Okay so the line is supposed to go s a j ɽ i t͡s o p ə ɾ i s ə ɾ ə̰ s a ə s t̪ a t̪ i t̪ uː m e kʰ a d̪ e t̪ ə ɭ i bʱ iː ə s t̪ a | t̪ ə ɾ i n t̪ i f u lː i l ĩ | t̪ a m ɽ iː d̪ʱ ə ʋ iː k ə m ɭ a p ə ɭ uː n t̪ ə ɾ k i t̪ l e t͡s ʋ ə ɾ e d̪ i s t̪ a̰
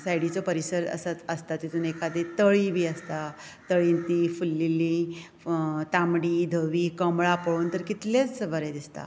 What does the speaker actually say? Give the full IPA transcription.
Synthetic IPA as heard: s a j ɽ i t͡s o p ə ɾ i s ə ɾ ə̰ s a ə s t̪ a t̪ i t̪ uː n e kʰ a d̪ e t̪ ə ɭ i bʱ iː ə s t̪ a | t̪ ə ɭ i n t̪ i f u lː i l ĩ | t̪ a m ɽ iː d̪ʱ ə ʋ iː k ə m ɭ a p ə ɭ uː n t̪ ə ɾ k i t̪ l e t͡s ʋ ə ɾ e d̪ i s t̪ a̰